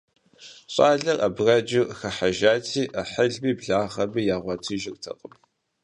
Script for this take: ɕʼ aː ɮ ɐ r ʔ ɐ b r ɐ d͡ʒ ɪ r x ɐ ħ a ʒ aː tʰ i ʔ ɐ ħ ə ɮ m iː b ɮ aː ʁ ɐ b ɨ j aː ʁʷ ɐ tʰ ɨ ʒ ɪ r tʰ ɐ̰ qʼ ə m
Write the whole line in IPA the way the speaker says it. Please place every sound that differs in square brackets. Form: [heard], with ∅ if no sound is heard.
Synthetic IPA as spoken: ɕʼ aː ɮ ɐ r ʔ ɐ b r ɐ d͡ʒ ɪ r x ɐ ħ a ʒ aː tʰ [iː] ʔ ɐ ħ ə ɮ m iː b ɮ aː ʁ ɐ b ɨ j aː ʁʷ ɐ tʰ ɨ ʒ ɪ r tʰ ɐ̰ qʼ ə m